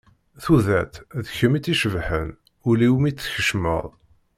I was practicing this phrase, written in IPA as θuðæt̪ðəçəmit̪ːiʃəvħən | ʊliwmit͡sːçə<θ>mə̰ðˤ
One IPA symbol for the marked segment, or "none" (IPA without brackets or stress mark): ʃ